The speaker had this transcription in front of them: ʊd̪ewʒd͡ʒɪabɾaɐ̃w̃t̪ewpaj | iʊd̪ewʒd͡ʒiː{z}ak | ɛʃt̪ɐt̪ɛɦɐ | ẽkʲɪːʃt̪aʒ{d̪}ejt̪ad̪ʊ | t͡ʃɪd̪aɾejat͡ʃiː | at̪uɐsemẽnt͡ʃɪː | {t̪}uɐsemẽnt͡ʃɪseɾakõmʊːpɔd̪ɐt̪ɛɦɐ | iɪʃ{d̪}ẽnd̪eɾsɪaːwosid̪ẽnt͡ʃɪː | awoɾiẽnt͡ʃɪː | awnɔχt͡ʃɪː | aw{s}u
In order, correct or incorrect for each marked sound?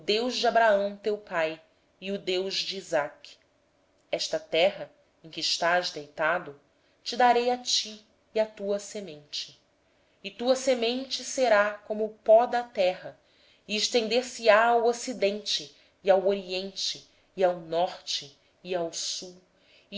correct, correct, correct, incorrect: t̪, correct

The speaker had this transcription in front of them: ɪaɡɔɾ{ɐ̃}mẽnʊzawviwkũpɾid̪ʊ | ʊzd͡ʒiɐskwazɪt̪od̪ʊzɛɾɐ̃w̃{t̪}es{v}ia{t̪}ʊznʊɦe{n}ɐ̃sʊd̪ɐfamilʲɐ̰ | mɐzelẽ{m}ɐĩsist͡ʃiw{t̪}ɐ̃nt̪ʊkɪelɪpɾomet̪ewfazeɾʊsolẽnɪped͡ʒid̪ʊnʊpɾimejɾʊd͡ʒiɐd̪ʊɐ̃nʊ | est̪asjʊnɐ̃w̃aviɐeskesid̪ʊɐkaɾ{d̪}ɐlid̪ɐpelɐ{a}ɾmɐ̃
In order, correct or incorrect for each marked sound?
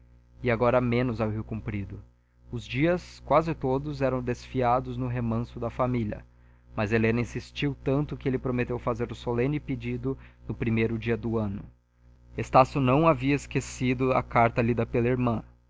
incorrect: ɐ, incorrect: d̪, incorrect: f, incorrect: d̪, incorrect: m, incorrect: n, correct, incorrect: t̪, incorrect: i

